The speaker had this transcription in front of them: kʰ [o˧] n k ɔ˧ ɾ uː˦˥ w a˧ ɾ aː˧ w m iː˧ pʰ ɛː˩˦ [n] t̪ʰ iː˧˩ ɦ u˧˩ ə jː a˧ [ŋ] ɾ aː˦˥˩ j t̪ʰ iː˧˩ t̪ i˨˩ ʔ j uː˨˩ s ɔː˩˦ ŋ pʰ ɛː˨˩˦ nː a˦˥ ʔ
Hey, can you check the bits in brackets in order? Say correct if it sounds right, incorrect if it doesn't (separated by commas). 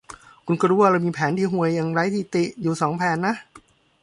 incorrect, correct, correct